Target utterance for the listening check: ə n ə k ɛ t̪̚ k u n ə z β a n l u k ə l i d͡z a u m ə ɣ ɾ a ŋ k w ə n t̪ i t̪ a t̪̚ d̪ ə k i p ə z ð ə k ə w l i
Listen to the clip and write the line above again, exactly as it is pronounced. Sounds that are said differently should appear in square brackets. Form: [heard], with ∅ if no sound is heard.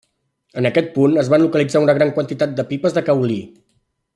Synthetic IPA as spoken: ə n ə k ɛ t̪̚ [p] u n ə z β a n l u k ə l i d͡z a u [n] ə ɣ ɾ a ŋ k w ə n t̪ i t̪ a t̪̚ d̪ ə [p] i p ə z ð ə k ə w l i